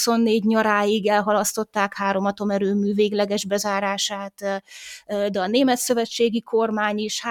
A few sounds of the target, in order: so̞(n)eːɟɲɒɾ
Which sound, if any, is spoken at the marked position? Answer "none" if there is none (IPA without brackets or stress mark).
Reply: nː